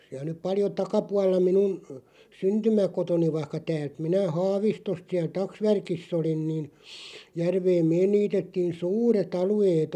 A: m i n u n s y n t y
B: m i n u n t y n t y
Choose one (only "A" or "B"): A